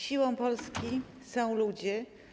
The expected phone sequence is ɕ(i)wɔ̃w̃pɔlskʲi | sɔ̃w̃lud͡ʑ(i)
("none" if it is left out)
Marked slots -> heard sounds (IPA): i, ɛ

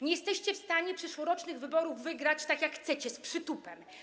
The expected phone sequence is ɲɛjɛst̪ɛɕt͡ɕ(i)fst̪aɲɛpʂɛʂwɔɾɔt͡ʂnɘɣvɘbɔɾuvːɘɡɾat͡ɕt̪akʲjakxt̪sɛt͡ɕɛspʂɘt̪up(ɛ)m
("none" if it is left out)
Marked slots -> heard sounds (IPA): ɛ, ɛ

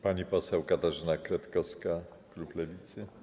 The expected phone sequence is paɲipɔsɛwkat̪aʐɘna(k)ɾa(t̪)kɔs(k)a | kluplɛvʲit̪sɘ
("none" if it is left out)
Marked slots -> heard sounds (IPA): k, t̪, k

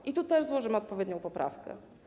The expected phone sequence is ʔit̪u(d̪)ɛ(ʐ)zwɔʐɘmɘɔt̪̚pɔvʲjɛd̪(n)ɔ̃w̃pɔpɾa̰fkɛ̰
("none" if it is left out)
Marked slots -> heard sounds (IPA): t̪, ʐ, ɲ

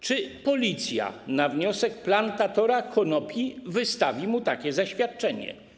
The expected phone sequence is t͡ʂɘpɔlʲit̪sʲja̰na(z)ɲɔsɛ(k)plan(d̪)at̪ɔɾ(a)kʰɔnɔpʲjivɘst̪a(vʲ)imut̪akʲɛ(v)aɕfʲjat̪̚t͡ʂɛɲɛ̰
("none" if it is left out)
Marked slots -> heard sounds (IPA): v, k, t̪, a, vʲ, z

